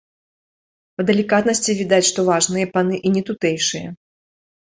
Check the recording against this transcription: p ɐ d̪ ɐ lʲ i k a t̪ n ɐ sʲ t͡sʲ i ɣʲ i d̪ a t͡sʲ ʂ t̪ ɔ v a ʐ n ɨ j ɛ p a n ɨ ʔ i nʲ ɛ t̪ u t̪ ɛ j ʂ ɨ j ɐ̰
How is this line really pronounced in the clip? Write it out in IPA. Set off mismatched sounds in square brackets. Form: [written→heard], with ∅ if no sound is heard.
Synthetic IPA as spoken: p ɐ d̪ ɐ lʲ i k a t̪ n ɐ sʲ t͡sʲ i [ɣʲ→vʲ] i d̪ a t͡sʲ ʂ t̪ ɔ v a ʐ n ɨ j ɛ p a n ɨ ʔ i nʲ ɛ t̪ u t̪ ɛ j ʂ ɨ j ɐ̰